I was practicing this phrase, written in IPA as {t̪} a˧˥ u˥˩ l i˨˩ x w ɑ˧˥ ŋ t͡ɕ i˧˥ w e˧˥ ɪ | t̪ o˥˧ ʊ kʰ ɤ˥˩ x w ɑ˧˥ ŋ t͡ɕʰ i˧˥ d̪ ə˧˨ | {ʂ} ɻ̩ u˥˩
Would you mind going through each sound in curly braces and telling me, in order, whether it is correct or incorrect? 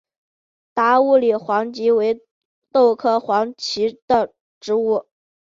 correct, incorrect: ʈ͡ʂ

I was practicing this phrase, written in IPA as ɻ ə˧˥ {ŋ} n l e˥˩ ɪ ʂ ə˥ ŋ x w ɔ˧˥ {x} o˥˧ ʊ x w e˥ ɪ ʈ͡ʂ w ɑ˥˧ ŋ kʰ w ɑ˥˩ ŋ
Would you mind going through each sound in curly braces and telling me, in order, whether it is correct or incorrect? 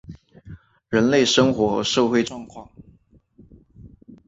incorrect: none, incorrect: ʂ

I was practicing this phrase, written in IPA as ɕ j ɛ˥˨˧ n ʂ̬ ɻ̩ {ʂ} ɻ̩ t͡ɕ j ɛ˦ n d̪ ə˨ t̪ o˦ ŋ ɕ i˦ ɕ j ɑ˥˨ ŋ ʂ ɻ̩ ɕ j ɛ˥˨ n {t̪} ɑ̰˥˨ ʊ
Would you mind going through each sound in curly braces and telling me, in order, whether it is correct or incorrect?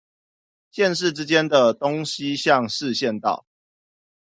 incorrect: ʈ͡ʂ, correct

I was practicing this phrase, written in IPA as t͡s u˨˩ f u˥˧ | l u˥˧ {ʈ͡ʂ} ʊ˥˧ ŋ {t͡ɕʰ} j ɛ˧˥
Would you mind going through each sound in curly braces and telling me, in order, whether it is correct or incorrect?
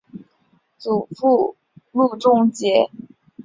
correct, incorrect: t͡ɕ

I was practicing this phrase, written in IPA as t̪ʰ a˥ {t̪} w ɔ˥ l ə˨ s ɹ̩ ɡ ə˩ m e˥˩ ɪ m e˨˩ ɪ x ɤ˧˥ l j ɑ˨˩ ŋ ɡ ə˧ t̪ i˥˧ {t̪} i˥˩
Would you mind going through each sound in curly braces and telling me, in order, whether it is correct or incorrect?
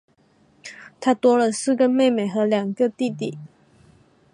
correct, correct

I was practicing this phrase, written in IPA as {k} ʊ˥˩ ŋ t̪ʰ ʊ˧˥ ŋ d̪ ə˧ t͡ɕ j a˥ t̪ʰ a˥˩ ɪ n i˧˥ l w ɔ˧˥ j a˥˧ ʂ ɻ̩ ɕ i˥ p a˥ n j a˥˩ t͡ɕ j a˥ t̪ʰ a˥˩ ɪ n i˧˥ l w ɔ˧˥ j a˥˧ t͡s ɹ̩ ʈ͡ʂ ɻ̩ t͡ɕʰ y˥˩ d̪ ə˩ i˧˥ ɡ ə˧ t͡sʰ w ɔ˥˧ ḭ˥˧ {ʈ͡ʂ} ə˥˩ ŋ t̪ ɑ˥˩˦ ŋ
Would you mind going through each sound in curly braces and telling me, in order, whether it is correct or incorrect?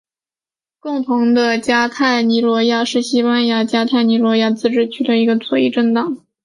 correct, correct

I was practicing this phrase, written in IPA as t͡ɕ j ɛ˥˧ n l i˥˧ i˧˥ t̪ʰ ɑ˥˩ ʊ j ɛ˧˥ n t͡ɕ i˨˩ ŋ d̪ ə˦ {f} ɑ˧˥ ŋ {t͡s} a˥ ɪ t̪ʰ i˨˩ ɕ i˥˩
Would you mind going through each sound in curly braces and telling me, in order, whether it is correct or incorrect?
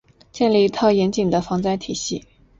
correct, correct

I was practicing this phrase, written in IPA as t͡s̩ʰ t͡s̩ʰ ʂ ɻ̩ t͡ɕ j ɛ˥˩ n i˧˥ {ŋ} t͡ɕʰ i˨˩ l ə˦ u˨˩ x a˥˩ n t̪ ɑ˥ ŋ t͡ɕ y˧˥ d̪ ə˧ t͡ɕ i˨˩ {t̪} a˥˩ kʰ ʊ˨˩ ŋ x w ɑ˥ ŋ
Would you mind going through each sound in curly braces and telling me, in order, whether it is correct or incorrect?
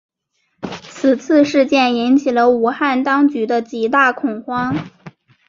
incorrect: n, correct

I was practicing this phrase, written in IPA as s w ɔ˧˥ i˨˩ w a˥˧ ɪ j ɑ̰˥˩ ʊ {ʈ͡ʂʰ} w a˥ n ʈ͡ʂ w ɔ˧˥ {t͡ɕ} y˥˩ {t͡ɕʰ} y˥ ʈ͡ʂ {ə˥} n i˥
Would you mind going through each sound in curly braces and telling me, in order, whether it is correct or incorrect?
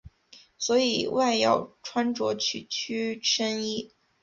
correct, incorrect: t͡ɕʰ, correct, correct

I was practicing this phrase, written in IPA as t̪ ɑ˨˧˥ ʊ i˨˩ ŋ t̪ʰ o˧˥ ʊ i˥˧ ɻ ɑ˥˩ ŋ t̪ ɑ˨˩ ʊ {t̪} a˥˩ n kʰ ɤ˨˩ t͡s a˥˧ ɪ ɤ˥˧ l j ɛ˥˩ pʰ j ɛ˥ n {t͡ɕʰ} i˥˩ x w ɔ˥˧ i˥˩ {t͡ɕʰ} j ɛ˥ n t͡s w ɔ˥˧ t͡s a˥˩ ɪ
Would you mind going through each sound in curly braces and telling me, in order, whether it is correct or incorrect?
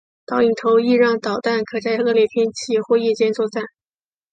correct, correct, incorrect: t͡ɕ

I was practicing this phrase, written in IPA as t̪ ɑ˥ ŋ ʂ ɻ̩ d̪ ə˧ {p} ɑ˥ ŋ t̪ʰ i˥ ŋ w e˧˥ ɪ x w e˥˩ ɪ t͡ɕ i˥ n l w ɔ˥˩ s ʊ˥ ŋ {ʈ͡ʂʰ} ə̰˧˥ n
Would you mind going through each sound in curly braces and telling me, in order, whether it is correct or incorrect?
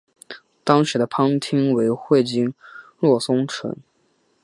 incorrect: pʰ, correct

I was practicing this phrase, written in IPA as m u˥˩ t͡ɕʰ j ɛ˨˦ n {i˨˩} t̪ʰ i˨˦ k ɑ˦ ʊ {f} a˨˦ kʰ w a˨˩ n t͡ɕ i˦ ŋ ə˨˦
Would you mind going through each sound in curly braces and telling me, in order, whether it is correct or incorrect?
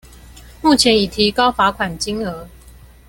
correct, correct

